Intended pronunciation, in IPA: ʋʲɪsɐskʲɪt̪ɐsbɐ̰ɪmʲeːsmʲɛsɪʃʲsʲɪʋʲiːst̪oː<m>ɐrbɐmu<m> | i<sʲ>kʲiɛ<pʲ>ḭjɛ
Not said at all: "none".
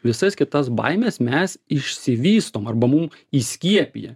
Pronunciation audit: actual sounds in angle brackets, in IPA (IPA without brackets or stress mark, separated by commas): m, m, sʲ, pʲ